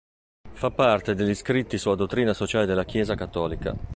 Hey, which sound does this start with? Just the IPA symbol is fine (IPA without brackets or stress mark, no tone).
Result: f